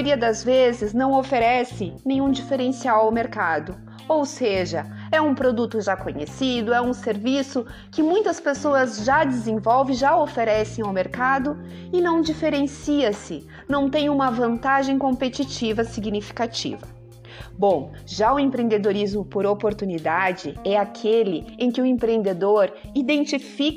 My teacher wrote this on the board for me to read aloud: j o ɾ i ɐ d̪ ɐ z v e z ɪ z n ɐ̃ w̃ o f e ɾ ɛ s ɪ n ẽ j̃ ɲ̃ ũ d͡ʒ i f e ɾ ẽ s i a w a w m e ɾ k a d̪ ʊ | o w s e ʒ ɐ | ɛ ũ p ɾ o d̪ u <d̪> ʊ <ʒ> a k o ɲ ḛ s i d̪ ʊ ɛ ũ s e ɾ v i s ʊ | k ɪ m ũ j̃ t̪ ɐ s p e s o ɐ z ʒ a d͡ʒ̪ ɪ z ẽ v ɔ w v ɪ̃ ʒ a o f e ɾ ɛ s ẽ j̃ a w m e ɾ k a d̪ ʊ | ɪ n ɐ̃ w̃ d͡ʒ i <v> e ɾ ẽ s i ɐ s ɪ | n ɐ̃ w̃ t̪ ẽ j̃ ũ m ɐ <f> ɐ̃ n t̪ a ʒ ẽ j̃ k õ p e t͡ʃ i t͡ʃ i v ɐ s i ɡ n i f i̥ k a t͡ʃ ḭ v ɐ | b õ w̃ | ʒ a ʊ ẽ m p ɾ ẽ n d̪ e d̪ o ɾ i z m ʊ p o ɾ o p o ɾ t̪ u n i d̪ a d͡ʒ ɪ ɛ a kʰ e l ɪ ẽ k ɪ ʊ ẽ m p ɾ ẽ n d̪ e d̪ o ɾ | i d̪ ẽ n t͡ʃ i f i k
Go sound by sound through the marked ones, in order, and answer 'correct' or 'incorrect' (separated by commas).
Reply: incorrect, correct, incorrect, incorrect